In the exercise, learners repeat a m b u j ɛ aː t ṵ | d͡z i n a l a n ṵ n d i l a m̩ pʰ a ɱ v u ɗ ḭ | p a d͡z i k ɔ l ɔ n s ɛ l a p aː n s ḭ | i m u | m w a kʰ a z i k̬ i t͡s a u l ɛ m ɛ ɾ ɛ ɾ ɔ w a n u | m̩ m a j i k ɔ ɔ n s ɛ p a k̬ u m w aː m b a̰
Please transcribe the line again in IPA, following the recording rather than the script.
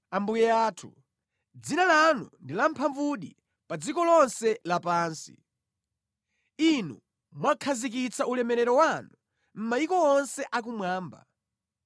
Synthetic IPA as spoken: a m b u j ɛ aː tʰ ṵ | d͡z i n a l a n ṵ n d i l a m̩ pʰ a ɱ v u ɗ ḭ | p a d͡z i k ɔ l ɔ n s ɛ l a p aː n s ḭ | i n u | m w a kʰ a z i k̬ i t͡s a u l ɛ m ɛ ɾ ɛ ɾ ɔ w a n u | m̩ m a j i k ɔ ɔ n s ɛ ʔ a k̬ u m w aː m b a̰